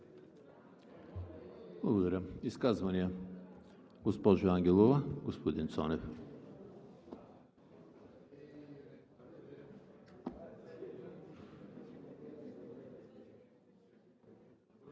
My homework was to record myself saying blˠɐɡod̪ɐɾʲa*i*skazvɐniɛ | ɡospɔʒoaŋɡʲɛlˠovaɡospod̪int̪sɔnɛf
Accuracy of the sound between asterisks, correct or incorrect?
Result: correct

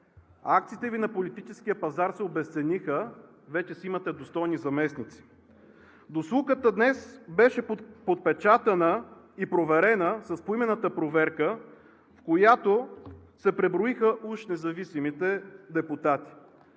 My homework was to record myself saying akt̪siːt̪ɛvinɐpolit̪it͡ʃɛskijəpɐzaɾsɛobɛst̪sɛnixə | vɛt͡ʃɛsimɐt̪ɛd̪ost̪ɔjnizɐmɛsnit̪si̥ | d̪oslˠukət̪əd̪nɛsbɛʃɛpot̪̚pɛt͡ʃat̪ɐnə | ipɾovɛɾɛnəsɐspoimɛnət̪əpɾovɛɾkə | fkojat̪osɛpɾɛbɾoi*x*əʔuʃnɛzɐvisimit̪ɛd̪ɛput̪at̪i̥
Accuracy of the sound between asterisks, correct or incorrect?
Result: correct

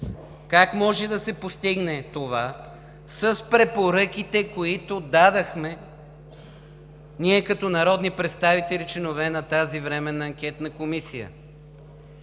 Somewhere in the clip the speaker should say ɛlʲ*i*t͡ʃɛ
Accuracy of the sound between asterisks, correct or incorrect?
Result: correct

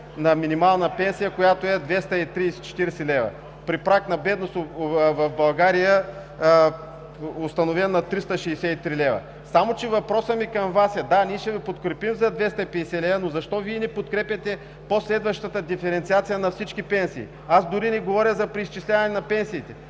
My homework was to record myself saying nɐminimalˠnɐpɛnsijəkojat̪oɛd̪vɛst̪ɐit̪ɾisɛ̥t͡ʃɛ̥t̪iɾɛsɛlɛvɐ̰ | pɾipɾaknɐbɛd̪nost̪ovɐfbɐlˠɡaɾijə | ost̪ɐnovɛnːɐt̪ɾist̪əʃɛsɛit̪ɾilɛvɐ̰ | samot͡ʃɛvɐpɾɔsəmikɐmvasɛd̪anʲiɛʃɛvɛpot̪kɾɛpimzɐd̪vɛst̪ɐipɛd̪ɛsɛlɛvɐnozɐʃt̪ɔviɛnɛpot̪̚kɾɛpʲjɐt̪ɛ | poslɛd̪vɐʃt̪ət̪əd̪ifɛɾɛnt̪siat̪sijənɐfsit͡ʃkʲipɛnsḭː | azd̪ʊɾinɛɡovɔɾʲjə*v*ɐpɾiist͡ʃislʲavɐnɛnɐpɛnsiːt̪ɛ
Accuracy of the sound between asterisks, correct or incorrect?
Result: incorrect: z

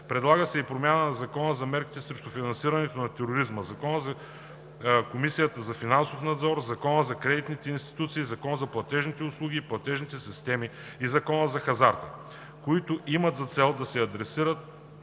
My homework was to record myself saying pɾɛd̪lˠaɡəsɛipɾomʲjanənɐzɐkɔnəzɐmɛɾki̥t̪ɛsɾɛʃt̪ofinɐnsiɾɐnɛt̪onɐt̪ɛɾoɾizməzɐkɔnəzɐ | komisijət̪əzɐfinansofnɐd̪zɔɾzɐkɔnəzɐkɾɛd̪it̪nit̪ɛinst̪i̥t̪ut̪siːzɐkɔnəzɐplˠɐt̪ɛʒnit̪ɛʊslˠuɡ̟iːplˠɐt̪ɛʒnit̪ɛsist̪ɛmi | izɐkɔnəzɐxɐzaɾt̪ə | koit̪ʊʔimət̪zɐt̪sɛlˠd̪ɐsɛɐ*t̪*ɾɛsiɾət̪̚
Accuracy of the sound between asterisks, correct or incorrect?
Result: incorrect: d̪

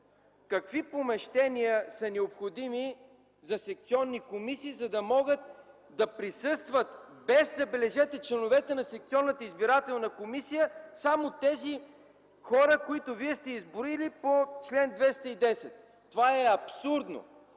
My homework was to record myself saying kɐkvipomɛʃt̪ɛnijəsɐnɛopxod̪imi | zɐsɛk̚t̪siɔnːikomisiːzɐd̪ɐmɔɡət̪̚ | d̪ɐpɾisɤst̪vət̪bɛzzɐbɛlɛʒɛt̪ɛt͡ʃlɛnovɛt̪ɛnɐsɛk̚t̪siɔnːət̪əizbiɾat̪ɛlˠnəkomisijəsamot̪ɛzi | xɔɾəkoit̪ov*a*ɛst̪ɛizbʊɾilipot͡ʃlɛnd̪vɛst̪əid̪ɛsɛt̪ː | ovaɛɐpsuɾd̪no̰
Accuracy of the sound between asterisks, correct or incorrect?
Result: incorrect: i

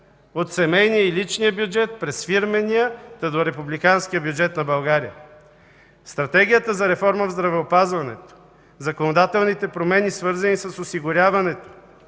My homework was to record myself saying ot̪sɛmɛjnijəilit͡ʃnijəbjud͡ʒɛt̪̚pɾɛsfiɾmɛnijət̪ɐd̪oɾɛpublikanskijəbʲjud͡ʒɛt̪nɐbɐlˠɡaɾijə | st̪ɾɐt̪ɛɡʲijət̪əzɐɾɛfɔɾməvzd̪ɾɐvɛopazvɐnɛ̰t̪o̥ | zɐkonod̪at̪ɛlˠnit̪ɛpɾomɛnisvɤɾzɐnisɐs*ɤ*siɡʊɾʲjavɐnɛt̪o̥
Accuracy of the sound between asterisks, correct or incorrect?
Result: incorrect: o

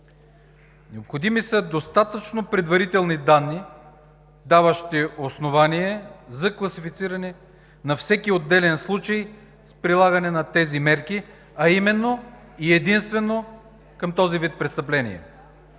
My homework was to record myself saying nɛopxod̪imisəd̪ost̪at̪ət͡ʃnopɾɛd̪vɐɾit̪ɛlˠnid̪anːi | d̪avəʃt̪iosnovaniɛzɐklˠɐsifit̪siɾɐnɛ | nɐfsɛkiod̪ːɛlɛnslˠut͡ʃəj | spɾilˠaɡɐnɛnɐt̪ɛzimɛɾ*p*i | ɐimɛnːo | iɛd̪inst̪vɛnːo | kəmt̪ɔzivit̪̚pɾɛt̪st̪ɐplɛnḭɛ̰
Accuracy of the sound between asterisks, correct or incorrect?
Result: incorrect: k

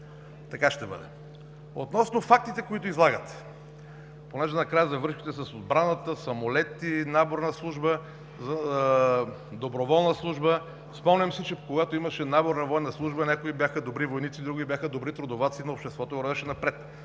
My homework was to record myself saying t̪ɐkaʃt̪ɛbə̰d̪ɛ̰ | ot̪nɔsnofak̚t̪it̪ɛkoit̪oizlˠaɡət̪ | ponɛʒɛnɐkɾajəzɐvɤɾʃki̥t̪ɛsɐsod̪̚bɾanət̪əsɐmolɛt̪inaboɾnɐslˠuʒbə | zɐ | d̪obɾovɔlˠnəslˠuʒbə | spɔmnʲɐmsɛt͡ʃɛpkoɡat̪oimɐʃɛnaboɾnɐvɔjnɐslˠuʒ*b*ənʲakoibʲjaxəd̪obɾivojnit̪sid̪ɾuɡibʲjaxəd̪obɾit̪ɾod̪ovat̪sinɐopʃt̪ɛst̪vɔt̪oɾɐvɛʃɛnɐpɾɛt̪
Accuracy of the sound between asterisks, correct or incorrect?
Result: correct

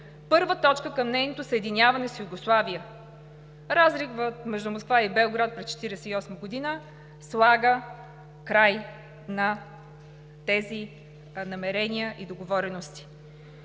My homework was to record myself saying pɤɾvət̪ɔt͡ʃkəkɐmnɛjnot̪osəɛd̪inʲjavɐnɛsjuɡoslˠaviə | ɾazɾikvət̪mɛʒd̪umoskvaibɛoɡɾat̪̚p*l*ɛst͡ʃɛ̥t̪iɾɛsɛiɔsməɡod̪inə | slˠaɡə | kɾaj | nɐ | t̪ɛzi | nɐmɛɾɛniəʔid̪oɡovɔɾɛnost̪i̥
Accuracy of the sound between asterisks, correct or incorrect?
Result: incorrect: ɾ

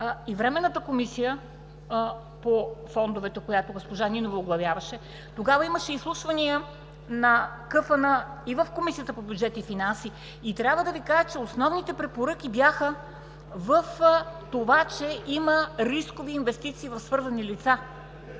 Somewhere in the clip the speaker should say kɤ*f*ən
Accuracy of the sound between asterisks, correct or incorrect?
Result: correct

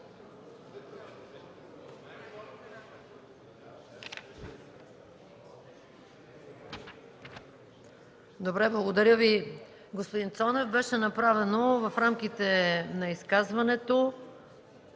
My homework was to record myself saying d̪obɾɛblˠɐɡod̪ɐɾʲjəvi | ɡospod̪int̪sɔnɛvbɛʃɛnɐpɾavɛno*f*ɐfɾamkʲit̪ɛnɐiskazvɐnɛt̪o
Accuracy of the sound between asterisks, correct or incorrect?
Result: incorrect: v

